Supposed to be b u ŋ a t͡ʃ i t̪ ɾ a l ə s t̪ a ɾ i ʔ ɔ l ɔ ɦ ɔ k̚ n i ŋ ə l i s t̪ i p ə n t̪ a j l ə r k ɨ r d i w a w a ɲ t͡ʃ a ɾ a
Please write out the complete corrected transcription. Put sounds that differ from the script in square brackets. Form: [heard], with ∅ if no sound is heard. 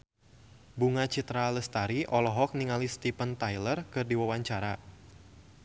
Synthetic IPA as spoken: b u ŋ a t͡ʃ i t̪ ɾ a l ə s t̪ a ɾ i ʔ ɔ l ɔ ɦ ɔ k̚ n i ŋ [a] l i s t̪ i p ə n t̪ a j l ə r k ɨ r d i w a w a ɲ t͡ʃ a ɾ a